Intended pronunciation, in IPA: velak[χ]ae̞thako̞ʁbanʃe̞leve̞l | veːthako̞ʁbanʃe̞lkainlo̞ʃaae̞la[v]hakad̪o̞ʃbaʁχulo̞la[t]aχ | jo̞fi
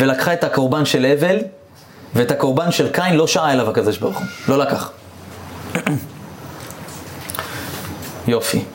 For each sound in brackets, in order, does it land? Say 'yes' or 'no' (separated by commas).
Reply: yes, yes, no